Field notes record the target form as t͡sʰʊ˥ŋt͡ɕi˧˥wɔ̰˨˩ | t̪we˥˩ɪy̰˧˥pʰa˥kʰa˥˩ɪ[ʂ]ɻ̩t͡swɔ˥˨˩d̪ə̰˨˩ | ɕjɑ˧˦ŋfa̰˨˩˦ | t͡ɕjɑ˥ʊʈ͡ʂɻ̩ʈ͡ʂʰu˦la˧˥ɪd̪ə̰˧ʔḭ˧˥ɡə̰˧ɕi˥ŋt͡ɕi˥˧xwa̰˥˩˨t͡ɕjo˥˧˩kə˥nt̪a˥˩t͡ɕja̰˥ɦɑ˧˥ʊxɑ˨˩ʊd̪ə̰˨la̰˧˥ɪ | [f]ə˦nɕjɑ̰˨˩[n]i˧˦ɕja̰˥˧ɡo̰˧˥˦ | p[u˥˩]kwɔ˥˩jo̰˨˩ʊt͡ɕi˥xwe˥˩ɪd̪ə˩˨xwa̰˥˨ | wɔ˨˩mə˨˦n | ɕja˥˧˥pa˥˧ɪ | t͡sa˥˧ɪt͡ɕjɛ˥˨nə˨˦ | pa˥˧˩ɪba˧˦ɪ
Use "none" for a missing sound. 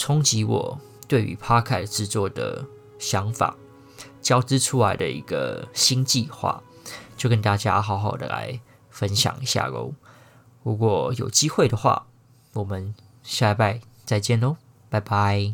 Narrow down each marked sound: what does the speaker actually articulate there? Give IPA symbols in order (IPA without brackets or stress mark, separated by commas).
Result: ʈ͡ʂ, f, ŋ, u˧˥